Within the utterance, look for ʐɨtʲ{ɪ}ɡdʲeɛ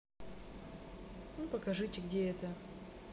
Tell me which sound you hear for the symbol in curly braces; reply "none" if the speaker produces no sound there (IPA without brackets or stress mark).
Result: ɪ